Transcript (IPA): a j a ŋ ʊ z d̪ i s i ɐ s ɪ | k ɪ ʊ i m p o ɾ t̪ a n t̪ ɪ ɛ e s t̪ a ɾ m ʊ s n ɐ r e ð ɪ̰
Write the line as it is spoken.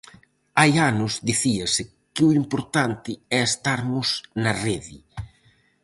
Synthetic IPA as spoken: a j a n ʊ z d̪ i θ i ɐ s ɪ | k ɪ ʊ i m p o ɾ t̪ a n t̪ ɪ ɛ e s t̪ a ɾ m ʊ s n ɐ r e ð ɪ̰